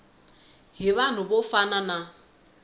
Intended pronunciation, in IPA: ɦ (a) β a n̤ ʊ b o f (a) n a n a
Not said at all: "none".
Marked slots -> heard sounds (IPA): i, a

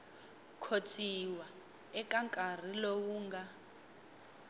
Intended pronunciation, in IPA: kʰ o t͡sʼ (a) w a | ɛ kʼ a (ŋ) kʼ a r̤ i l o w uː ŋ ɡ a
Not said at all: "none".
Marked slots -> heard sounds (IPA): i, ŋ

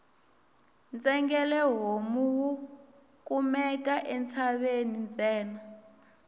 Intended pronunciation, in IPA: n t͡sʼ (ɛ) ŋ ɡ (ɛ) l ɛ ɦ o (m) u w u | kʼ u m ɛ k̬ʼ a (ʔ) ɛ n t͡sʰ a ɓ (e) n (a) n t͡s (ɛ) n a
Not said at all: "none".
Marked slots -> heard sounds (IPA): ɛ, ɛ, m, ʔ, e, i, ɛː

